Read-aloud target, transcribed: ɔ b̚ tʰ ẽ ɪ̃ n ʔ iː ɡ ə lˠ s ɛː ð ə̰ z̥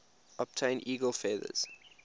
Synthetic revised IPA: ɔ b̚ tʰ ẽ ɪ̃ n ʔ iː ɡ ə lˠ f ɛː ð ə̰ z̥